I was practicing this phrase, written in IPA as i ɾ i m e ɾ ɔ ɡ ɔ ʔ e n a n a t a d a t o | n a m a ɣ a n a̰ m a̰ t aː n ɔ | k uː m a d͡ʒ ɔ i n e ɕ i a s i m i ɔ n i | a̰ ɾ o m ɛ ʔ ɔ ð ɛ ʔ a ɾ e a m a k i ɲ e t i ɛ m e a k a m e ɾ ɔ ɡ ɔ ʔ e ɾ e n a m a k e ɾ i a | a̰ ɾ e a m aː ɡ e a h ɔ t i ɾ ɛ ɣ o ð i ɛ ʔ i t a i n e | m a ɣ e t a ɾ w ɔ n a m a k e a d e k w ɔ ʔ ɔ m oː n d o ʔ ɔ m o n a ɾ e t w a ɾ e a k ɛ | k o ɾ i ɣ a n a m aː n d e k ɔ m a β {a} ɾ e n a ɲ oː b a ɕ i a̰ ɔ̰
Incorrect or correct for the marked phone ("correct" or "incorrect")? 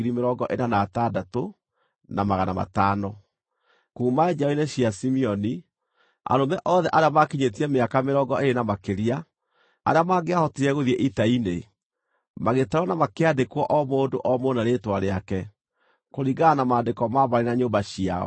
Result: correct